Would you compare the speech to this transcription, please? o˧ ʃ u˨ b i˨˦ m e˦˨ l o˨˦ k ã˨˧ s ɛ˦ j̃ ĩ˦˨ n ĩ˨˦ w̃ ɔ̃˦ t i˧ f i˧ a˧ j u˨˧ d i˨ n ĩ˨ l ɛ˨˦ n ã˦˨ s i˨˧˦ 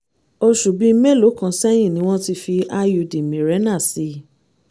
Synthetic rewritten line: o˧ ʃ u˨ b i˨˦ m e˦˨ l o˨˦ k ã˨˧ s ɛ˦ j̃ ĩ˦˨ n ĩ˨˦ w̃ ɔ̃˦ t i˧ f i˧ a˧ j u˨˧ d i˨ m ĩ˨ ɾ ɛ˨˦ n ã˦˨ s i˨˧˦

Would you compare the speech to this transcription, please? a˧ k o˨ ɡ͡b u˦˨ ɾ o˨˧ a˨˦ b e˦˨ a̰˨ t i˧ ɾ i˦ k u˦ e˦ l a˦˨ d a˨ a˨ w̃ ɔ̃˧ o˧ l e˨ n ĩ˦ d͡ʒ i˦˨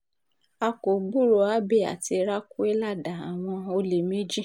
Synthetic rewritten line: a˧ k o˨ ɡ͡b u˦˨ ɾ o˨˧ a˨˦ b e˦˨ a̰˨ t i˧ ɾ a˦ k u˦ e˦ l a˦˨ d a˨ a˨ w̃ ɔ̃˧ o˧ l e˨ m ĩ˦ d͡ʒ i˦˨

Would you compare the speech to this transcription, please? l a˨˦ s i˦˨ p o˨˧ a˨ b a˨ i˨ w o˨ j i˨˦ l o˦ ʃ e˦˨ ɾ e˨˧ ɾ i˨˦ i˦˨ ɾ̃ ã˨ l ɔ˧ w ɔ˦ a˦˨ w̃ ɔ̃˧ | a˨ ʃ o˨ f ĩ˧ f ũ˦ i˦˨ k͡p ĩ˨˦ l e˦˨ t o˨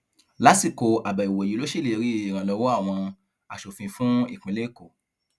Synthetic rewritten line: l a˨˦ s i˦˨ k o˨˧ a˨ b a˨ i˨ w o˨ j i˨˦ l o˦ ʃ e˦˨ l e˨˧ ɾ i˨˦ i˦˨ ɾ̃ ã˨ l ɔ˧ w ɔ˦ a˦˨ w̃ ɔ̃˧ | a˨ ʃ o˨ f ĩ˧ f ũ˦ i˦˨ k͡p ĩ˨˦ l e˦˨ k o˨

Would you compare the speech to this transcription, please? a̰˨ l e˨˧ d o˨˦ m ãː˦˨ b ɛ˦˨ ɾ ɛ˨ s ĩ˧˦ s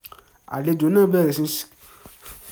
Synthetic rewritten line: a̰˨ l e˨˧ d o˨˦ n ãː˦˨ b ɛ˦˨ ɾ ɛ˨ s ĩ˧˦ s

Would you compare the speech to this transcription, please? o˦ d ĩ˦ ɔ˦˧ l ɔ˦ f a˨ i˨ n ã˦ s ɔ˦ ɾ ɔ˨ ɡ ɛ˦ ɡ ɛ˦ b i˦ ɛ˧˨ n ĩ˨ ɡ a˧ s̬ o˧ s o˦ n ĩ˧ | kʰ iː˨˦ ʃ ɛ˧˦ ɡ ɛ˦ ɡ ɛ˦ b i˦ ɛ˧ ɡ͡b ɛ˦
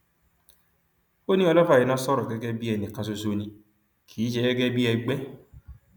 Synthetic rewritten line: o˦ n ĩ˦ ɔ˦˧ l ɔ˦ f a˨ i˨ n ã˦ s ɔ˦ ɾ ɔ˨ ɡ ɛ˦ ɡ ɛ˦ b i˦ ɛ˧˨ n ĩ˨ k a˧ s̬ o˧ s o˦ n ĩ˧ | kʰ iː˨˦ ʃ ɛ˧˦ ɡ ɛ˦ ɡ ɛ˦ b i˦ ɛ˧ ɡ͡b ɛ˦

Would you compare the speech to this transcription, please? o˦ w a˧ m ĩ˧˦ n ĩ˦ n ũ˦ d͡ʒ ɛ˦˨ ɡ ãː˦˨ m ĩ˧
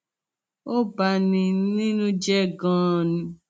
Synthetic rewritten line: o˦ b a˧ n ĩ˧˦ n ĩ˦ n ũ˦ d͡ʒ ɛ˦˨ ɡ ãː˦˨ n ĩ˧

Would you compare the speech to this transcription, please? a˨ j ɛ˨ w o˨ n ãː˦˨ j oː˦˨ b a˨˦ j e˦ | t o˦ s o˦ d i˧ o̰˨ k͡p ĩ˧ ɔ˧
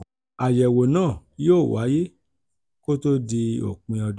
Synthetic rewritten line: a˨ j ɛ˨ w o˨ n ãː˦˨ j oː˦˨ w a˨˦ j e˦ | k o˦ t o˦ d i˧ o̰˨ k͡p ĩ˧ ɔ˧

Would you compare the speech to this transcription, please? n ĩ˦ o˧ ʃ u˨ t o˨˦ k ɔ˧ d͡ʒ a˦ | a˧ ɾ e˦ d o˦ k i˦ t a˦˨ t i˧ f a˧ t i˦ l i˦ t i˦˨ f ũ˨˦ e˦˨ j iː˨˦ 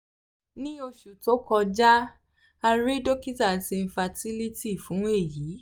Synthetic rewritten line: n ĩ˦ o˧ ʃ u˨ t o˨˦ k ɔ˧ d͡ʒ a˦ | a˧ ɾ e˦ d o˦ k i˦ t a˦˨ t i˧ f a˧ t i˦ l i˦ t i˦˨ f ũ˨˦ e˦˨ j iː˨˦

